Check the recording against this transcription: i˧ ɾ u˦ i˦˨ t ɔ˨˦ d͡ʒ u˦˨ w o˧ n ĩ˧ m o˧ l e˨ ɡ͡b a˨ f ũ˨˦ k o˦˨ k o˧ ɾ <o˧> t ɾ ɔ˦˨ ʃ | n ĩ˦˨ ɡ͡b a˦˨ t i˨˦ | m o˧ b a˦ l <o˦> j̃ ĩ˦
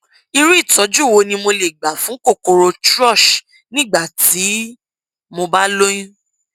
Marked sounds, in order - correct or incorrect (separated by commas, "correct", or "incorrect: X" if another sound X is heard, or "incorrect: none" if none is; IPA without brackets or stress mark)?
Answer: correct, correct